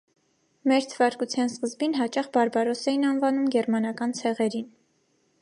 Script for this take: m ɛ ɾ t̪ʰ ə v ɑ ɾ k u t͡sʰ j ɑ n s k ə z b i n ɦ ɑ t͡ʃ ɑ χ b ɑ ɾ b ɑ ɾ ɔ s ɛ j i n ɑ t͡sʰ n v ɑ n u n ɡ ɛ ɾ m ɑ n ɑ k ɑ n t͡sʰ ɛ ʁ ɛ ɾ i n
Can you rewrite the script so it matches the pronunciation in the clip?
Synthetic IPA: m ɛ ɾ t̪ʰ ə v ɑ ɾ k u t͡sʰ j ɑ n s k ə z b i n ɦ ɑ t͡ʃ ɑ χ b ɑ ɾ b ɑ ɾ ɔ s ɛ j i n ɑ n v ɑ n u m ɡ ɛ ɾ m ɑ n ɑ k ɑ n t͡sʰ ɛ ʁ ɛ ɾ i n